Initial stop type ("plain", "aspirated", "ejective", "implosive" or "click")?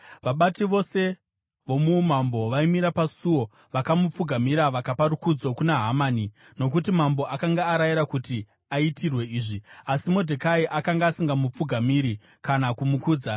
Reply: implosive